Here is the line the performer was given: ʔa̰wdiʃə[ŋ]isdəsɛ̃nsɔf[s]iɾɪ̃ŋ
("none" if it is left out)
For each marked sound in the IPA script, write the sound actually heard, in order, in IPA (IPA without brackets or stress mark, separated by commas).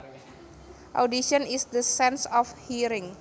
n, h